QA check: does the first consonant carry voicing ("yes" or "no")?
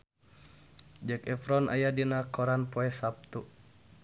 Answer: yes